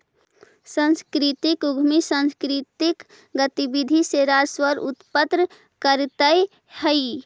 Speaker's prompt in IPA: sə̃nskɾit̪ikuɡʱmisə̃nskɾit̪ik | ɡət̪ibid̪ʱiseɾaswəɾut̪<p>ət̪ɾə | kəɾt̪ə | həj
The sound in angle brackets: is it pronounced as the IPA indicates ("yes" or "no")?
yes